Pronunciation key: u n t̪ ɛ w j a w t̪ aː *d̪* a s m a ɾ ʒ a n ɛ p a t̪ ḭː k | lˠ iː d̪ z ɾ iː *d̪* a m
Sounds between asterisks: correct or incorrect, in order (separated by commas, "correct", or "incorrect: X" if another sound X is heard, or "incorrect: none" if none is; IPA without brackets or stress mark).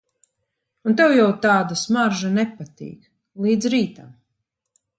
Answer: correct, incorrect: t̪